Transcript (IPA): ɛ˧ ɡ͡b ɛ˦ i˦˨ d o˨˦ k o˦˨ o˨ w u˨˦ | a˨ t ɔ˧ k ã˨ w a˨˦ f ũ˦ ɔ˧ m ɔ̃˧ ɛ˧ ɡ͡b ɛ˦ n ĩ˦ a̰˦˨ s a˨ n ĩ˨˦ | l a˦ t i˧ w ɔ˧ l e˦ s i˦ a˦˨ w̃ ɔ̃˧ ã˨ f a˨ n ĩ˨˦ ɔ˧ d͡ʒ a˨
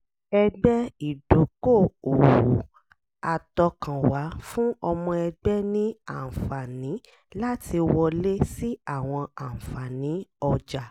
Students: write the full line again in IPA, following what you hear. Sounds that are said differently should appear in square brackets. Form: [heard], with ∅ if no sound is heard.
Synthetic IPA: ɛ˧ ɡ͡b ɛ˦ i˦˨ d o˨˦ k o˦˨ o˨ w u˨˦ | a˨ t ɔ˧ k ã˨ w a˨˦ f ũ˦ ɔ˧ m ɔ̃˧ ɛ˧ ɡ͡b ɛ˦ n ĩ˦ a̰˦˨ [f] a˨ n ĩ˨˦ | l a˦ t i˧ w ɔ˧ l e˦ s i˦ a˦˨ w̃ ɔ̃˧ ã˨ f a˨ n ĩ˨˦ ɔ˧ d͡ʒ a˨